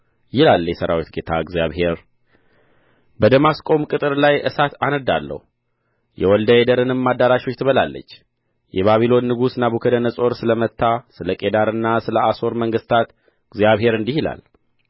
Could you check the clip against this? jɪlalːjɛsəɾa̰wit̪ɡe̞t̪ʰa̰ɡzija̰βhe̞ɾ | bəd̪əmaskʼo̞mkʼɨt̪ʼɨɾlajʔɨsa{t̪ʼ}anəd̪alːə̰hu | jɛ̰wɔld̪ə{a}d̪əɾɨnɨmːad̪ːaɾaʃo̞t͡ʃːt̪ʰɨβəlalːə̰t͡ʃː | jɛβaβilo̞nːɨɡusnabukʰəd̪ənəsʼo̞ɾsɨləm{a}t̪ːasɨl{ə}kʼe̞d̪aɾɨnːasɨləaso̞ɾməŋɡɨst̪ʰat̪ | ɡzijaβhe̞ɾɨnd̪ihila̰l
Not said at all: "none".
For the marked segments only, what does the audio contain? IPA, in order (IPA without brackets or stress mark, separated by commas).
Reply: t̪, e, ə, ə